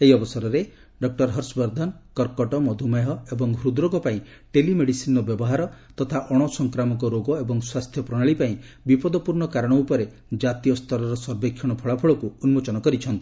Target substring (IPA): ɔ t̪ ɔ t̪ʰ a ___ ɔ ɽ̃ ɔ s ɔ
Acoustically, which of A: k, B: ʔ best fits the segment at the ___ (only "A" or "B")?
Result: B